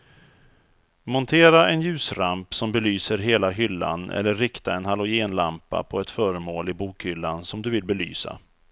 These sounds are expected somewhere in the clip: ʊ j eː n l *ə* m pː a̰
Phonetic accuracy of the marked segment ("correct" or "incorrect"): incorrect